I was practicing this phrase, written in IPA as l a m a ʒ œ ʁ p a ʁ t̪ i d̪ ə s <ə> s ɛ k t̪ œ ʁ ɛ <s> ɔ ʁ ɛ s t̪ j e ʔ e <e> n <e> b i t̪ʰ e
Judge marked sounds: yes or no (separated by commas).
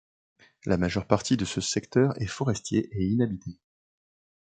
yes, no, no, no